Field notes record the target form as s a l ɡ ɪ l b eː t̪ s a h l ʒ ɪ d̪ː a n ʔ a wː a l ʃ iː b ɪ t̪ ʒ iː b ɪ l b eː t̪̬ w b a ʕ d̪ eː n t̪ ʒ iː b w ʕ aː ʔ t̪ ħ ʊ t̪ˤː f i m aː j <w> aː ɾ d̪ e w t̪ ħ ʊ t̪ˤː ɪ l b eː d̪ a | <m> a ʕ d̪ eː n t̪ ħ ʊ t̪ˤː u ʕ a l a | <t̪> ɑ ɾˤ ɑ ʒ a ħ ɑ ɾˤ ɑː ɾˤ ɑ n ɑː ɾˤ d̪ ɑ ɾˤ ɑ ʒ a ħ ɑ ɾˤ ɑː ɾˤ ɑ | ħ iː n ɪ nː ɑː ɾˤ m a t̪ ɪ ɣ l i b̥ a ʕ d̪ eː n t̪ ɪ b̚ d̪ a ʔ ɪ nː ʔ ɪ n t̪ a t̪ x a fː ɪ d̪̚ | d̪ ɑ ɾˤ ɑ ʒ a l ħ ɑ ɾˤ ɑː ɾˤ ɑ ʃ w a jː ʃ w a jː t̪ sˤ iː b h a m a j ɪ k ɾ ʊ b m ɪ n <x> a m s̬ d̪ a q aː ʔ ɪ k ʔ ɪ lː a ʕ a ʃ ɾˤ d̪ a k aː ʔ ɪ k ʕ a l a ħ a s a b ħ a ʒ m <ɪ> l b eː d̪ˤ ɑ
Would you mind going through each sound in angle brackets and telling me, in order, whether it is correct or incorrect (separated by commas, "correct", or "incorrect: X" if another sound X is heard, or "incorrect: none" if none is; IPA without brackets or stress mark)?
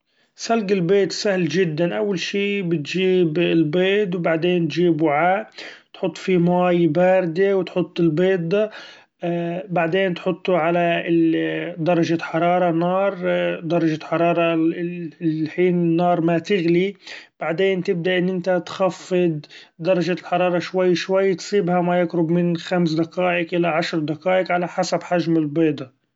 incorrect: b, incorrect: b, incorrect: d̪, correct, correct